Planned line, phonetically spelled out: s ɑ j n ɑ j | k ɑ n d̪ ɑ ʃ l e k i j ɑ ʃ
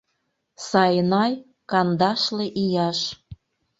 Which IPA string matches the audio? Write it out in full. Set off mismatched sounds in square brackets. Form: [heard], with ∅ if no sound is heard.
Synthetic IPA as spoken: s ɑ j n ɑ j | k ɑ n d̪ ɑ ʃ l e [ʔ] i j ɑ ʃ